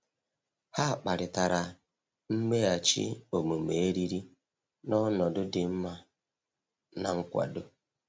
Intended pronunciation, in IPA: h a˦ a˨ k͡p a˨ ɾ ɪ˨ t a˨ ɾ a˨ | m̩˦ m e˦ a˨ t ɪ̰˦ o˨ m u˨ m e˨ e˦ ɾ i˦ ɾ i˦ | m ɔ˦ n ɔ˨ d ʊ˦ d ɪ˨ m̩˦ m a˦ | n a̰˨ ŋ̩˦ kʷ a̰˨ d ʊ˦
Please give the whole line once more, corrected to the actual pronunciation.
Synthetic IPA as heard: h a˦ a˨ k͡p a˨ ɾ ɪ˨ t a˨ ɾ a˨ | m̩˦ m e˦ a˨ t͡ʃ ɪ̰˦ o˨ m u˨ m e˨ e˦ ɾ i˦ ɾ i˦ | n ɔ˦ n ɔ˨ d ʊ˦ d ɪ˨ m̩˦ m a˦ | n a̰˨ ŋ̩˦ kʷ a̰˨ d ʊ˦